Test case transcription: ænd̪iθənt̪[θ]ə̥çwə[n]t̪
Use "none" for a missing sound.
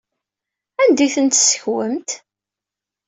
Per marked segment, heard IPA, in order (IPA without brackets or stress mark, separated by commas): s, m